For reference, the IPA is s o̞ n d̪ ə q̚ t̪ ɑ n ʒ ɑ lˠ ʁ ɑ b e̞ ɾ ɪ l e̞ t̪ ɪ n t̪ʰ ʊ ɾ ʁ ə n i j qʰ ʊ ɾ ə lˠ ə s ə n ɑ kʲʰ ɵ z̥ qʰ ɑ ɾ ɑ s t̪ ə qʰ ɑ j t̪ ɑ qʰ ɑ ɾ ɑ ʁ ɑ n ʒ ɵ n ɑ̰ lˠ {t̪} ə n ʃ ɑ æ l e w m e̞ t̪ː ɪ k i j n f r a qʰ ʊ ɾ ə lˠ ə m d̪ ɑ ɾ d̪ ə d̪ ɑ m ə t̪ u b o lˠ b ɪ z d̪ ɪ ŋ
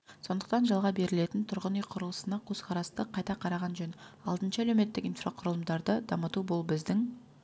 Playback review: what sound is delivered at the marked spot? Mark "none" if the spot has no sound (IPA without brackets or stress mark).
d̪